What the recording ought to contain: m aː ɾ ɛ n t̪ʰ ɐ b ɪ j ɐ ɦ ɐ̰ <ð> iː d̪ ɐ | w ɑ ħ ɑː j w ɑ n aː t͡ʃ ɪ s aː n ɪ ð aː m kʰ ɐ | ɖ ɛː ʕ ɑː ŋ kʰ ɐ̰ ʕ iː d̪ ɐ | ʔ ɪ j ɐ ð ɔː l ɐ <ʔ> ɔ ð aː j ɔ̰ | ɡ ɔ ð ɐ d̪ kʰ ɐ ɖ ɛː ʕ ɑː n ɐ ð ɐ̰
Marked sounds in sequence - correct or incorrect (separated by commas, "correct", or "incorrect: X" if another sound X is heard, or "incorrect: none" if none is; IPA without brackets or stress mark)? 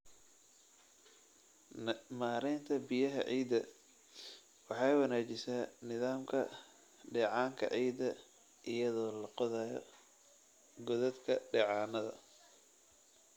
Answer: incorrect: ʕ, incorrect: q